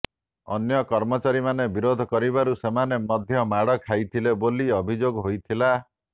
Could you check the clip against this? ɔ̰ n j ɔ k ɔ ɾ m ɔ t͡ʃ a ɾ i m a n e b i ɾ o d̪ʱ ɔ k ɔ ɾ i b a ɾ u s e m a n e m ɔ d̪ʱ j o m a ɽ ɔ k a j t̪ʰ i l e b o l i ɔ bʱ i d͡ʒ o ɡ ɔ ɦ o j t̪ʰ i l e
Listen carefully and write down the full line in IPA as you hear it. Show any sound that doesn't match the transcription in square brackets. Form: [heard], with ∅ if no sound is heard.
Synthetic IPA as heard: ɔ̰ n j ɔ k ɔ ɾ m ɔ t͡ʃ a ɾ i m a n e b i ɾ o d̪ʱ ɔ k ɔ ɾ i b a ɾ u s e m a n e m ɔ d̪ʱ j [ɔ] m a ɽ ɔ [kʰ] a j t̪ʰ i l e b o l i ɔ bʱ i d͡ʒ o ɡ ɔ ɦ o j t̪ʰ i l [a]